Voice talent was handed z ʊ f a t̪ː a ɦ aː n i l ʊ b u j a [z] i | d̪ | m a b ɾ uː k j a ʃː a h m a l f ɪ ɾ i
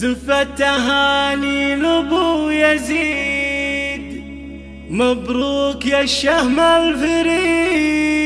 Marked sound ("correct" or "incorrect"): correct